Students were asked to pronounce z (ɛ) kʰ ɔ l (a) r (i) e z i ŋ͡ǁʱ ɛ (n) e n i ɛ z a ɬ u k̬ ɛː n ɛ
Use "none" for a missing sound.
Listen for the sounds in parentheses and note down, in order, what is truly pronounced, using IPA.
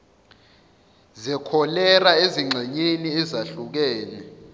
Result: ɛ, ɛ, a, ɲ

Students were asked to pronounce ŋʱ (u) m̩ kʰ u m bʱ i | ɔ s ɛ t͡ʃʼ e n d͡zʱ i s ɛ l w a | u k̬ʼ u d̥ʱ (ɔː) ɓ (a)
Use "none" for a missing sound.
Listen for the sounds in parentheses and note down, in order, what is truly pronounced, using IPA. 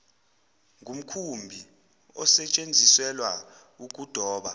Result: u, ɔː, a

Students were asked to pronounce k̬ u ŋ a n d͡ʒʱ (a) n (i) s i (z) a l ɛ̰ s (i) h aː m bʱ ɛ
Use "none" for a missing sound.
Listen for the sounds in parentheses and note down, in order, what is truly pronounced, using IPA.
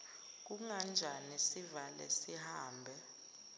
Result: a, i, v, i

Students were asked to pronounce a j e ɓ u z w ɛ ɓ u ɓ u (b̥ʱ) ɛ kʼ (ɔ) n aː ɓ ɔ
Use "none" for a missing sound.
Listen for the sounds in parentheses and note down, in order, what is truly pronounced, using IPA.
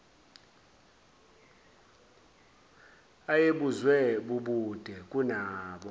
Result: d̥ʱ, u

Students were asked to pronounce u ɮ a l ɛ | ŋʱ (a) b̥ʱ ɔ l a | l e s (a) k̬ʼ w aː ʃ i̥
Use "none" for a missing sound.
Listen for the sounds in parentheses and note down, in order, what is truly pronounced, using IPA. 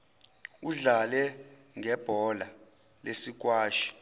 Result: ɛ, i

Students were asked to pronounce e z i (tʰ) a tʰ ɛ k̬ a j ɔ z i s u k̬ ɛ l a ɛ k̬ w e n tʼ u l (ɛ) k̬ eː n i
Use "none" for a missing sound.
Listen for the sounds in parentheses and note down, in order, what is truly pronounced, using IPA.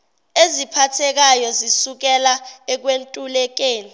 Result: pʰ, ɛ

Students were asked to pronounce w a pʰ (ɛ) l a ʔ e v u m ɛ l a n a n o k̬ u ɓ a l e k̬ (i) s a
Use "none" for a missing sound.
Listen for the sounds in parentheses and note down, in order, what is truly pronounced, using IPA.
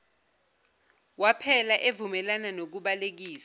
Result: ɛ, iː

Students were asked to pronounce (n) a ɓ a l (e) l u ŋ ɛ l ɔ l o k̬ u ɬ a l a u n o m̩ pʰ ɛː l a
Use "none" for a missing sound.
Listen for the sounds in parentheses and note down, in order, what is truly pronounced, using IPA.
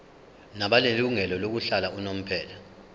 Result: n, e

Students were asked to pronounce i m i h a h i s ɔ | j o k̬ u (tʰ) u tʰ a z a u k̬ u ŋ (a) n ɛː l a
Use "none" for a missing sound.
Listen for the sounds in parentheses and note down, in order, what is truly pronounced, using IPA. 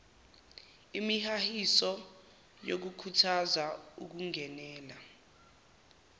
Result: kʰ, ɛ

